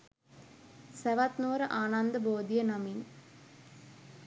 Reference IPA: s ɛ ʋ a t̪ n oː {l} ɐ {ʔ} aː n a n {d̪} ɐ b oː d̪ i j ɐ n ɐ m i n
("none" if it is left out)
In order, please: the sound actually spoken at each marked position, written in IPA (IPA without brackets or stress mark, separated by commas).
ɾ, ʔ, d̪